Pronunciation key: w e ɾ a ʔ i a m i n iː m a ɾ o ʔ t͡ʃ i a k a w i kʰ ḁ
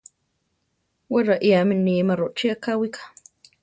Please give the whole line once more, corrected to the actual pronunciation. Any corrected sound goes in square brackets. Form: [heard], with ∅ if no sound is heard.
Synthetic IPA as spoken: w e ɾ a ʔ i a m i n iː m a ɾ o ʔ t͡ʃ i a k a w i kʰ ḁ